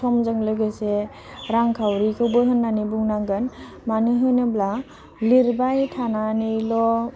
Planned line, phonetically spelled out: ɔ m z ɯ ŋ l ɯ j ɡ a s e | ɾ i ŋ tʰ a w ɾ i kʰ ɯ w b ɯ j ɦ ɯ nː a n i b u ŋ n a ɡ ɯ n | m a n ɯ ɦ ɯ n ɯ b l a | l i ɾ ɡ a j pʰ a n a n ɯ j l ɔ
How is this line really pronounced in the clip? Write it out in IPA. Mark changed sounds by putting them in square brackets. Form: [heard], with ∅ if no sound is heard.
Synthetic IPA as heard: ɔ m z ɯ ŋ l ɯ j ɡ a s e | ɾ [a] ŋ [kʰ] a w ɾ i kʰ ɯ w b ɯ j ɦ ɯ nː a n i b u ŋ n a ɡ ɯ n | m a n ɯ ɦ ɯ n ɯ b l a | l i ɾ [b] a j [tʰ] a n a n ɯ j l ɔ